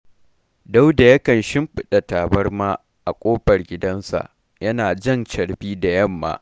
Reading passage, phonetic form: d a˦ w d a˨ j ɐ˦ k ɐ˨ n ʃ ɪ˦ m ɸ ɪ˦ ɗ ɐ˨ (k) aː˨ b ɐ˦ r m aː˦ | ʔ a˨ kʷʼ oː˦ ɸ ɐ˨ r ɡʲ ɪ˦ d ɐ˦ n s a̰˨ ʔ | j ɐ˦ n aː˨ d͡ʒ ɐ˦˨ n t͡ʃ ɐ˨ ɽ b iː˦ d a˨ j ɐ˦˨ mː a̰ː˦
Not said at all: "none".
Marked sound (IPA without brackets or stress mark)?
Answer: t